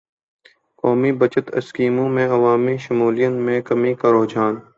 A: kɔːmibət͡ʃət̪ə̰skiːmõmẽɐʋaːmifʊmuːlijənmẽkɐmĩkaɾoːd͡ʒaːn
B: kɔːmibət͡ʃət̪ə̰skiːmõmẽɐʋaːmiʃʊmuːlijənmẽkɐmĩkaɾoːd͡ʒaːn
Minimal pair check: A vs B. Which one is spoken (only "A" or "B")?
B